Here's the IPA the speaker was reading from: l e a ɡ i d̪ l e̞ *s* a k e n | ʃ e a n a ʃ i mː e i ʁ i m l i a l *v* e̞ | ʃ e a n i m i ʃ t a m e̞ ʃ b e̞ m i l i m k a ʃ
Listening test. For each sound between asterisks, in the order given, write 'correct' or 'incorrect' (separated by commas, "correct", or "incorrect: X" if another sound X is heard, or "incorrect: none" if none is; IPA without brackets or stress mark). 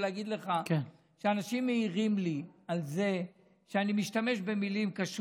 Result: incorrect: χ, incorrect: z